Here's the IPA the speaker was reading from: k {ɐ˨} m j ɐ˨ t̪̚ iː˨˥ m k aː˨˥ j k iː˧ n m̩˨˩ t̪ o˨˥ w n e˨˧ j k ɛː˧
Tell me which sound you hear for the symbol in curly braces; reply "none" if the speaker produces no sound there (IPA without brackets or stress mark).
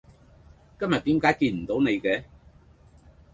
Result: ɐ˥